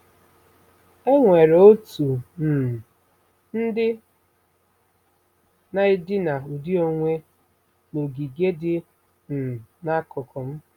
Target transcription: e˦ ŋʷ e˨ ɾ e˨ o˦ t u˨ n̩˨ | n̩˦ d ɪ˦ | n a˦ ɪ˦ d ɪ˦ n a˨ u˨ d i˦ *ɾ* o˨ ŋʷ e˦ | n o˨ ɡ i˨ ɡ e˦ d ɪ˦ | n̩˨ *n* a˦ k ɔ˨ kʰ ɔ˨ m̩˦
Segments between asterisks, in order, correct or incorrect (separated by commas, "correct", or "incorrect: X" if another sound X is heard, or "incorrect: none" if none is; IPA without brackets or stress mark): incorrect: none, correct